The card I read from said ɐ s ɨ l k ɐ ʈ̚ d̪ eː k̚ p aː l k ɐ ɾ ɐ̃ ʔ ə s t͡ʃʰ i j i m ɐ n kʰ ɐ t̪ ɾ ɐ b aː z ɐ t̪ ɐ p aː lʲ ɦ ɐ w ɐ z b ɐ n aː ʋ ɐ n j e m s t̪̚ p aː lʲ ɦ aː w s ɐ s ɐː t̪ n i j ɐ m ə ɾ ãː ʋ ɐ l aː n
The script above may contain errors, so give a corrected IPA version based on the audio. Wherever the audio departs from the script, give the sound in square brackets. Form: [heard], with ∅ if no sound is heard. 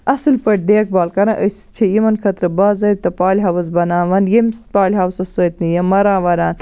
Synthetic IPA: ɐ s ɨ l [p] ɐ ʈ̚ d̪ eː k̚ [b] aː l k ɐ ɾ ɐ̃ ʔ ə s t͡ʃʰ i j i m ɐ n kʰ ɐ t̪ ɾ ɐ b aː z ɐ t̪ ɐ p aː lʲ ɦ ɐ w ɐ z b ɐ n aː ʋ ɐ n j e m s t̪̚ p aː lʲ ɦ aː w s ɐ s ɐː t̪ n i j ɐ m [ɐ] ɾ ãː ʋ ɐ [ɾ] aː n

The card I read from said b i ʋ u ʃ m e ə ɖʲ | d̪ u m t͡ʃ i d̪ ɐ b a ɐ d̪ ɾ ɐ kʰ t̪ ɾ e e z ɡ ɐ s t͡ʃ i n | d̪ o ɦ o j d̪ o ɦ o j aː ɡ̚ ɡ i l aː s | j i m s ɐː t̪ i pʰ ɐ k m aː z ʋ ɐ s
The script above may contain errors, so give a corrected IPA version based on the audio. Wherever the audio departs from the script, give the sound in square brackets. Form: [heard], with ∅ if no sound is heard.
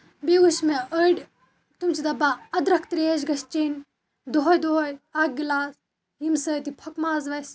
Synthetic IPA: b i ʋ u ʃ m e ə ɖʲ | [t̪] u m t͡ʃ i d̪ ɐ b a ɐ d̪ ɾ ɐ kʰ t̪ ɾ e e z ɡ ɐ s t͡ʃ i n | d̪ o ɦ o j d̪ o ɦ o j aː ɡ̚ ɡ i l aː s | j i m s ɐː t̪ i pʰ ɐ k m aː z ʋ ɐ s

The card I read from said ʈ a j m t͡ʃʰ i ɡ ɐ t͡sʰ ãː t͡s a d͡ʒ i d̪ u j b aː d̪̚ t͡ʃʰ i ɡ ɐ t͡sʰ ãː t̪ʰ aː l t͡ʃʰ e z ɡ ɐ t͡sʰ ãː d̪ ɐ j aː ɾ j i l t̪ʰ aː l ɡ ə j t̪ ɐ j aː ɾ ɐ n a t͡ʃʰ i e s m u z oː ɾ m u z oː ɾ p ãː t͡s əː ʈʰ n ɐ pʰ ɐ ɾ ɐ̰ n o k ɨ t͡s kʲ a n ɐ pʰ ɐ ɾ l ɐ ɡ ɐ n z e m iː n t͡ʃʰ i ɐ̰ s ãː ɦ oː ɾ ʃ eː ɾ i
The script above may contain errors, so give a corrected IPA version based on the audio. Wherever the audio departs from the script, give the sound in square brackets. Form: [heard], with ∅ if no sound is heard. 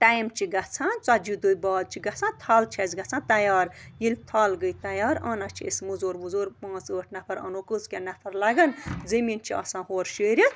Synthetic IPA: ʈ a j m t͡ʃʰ i ɡ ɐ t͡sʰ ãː t͡s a d͡ʒ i d̪ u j b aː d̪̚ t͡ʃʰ i ɡ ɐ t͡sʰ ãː t̪ʰ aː l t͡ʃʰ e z ɡ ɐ t͡sʰ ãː [t̪] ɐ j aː ɾ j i l t̪ʰ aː l ɡ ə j t̪ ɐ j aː ɾ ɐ n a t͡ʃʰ i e s m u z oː ɾ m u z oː ɾ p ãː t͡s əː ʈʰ n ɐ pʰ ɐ ɾ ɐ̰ n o k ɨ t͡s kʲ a n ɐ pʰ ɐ ɾ l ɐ ɡ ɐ n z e m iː n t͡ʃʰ i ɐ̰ s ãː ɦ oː ɾ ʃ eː ɾ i

